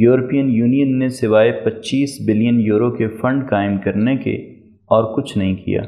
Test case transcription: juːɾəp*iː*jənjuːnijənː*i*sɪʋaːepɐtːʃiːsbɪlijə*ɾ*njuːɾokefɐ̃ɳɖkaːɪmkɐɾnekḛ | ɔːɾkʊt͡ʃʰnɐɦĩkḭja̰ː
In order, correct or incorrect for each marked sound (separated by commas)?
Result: incorrect, incorrect, incorrect